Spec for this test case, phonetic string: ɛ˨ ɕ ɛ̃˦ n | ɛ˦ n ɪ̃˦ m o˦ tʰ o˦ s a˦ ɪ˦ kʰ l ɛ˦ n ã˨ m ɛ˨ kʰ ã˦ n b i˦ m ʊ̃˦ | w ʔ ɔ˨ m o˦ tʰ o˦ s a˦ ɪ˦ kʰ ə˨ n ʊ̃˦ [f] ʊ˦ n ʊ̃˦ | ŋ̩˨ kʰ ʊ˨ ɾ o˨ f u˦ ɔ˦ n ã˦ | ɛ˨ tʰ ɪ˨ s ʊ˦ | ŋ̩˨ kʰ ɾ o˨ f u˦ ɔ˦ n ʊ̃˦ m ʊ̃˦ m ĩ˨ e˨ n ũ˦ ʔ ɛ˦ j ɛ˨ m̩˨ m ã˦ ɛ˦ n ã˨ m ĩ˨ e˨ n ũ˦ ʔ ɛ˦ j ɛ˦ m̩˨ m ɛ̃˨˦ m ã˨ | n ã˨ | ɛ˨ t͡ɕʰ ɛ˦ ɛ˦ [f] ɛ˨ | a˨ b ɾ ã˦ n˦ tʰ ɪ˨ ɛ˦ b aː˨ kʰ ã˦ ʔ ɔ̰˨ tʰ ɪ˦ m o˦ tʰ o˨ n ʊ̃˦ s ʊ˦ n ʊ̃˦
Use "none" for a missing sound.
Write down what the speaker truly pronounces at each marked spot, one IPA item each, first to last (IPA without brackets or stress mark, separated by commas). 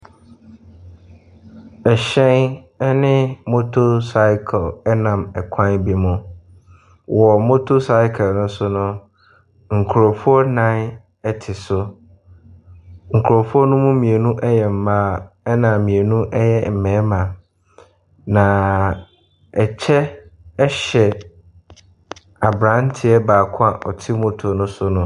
s, ɕ